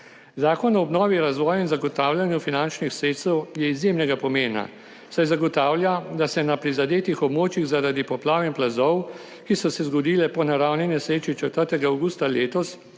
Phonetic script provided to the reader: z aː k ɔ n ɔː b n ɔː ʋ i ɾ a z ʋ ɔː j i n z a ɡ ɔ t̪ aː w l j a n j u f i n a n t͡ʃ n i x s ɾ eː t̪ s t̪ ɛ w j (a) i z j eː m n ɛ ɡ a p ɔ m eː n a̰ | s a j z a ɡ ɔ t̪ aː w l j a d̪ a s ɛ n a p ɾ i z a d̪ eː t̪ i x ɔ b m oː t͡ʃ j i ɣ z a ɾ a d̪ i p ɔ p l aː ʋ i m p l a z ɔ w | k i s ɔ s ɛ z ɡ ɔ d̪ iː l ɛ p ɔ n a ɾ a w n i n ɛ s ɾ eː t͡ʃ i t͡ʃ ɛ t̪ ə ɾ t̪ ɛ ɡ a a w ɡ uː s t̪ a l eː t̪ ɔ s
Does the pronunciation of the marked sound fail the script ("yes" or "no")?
yes